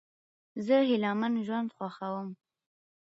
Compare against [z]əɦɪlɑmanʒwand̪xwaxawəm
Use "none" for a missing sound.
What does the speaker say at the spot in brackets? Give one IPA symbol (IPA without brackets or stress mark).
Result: z